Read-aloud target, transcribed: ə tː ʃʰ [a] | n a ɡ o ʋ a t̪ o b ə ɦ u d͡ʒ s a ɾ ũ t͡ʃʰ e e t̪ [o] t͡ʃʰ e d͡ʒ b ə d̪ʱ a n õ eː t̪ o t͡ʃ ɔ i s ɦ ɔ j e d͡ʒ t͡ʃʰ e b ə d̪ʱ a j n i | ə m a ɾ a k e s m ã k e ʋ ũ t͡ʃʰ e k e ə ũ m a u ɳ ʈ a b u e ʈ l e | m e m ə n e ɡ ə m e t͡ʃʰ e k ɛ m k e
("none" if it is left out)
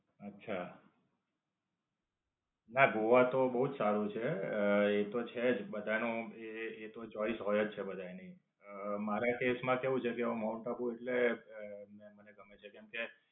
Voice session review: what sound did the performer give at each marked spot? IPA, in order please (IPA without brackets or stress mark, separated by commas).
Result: a, o